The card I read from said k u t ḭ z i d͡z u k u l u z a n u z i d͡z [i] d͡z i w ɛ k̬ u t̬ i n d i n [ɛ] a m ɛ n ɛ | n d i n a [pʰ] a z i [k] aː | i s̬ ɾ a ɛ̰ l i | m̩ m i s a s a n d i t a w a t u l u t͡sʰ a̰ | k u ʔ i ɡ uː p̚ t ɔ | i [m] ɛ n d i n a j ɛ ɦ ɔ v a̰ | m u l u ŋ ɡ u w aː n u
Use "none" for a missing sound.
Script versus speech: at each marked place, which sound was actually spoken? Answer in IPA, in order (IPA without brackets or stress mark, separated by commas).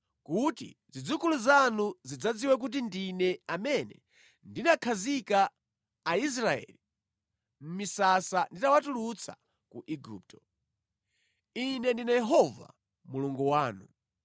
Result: a, ɛ, kʰ, k, n